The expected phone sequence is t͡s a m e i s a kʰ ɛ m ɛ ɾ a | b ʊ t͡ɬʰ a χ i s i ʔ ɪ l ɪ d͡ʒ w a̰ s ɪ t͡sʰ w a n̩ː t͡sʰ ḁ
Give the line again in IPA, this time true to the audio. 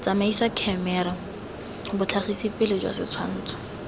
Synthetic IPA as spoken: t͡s a m a i s a kʰ ɛ m ɛ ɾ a | b ʊ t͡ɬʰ a χ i s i p ɪ l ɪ d͡ʒ w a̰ s ɪ t͡sʰ w a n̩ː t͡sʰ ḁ